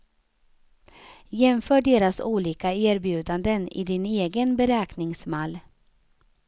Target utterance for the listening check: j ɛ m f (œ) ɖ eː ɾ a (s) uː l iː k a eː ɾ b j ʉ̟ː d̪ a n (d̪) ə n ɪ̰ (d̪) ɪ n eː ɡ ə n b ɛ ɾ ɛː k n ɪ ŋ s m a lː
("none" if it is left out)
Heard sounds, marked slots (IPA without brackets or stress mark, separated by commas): œː, s, d̪, d̪